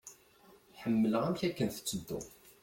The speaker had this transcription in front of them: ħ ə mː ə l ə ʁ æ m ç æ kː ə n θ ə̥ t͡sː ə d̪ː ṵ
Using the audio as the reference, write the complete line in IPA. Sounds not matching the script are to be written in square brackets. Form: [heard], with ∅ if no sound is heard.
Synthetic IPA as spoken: ħ ə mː ə l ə ʁ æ m ç æ kː ə n θ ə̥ t͡sː ə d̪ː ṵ